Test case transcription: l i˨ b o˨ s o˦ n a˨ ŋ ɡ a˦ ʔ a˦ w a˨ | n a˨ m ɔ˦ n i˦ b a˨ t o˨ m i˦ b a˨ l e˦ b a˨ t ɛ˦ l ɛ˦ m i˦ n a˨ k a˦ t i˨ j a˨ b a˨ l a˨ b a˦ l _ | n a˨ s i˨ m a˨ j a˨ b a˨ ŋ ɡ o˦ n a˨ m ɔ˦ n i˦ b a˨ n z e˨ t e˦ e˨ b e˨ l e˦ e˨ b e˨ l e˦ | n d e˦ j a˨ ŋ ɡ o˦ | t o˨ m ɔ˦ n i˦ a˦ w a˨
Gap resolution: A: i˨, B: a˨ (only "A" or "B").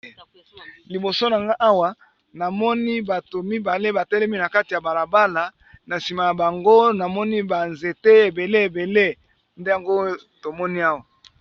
B